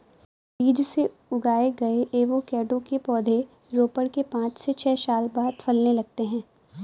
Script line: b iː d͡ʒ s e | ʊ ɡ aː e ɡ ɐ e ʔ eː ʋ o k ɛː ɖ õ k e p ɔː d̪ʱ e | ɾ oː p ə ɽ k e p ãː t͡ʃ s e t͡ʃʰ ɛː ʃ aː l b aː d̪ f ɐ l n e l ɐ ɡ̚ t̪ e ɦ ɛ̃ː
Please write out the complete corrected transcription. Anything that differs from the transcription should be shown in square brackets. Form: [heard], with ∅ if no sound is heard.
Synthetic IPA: b iː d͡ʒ s e | ʊ ɡ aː e ɡ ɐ e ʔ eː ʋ o k ɛː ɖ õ k e p ɔː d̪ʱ e | ɾ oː p ə ɽ k e p ãː t͡ʃ s e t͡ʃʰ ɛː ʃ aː l b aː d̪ f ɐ l n e l ɐ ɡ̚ t̪ e ɦ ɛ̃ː